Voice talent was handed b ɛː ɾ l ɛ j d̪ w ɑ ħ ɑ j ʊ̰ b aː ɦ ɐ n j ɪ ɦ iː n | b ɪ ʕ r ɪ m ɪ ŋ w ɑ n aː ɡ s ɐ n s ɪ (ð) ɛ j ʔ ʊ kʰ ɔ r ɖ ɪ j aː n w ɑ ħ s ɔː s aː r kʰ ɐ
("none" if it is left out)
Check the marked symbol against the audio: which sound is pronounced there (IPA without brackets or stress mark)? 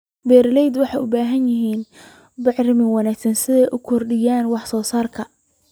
ð